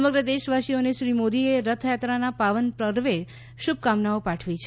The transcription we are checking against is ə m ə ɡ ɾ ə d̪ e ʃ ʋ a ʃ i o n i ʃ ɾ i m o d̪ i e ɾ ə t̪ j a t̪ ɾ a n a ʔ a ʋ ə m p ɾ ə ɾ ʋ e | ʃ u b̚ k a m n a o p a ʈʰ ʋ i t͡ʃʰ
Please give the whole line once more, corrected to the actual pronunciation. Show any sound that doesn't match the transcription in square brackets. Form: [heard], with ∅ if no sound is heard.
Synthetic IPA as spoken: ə m ə ɡ ɾ ə d̪ e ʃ ʋ a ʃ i o n [e] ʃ ɾ i m o d̪ i e ɾ ə [t̪ʰ] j a t̪ ɾ a n a [p] a ʋ ə [n] p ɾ ə ɾ ʋ e | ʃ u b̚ k a m n a o p a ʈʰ ʋ i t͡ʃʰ